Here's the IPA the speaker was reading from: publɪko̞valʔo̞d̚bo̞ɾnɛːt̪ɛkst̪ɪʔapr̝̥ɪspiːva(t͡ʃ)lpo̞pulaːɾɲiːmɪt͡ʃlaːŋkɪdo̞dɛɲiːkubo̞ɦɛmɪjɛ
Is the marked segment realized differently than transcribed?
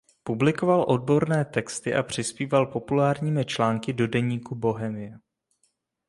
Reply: yes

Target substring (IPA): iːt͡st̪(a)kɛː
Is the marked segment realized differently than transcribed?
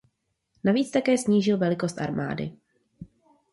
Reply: no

